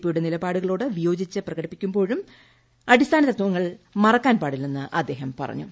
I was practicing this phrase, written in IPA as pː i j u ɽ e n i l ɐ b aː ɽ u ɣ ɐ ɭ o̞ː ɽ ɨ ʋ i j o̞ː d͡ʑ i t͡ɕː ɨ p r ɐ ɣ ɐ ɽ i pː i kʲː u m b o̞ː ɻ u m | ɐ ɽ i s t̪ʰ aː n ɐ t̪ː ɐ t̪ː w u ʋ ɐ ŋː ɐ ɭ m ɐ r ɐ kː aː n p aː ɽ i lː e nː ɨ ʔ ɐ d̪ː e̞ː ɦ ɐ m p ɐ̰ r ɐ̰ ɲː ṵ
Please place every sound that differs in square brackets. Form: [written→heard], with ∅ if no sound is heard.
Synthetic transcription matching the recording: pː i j u ɽ e n i l ɐ b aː ɽ u ɣ ɐ ɭ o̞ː ɽ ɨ ʋ i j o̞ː d͡ʑ i t͡ɕː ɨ p r ɐ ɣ ɐ ɽ i pː i kʲː u m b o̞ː ɻ u m | ɐ ɽ i s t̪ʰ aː n ɐ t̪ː ɐ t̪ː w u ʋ ɐ ŋː ɐ ɭ m ɐ r ɐ kː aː n p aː ɽ i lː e nː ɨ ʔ ɐ d̪ː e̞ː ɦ ɐ m p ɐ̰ r ɐ̰ ɲː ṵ